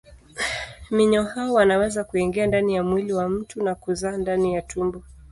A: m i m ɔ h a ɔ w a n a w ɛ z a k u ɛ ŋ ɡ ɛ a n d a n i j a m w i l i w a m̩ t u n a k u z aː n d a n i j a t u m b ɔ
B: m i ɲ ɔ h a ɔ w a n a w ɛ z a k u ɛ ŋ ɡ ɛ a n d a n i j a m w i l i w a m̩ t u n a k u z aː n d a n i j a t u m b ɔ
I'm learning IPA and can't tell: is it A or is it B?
B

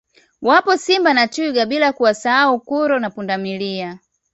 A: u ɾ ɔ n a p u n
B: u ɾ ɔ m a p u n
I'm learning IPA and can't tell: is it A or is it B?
A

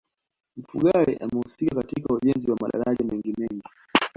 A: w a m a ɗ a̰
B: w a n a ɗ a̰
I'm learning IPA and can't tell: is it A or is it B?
A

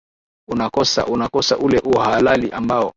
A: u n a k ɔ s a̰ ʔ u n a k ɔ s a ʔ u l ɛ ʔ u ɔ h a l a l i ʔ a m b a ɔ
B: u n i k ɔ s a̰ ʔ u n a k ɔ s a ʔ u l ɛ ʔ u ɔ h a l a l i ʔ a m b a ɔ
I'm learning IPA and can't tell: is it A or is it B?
A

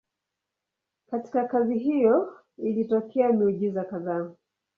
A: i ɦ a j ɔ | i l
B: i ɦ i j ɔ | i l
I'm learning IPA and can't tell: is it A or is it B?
B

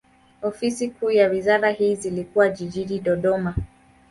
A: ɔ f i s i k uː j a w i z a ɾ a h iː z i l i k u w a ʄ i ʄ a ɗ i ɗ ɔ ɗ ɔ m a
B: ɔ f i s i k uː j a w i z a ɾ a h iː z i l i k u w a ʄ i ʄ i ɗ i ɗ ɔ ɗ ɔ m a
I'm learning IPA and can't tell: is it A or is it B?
B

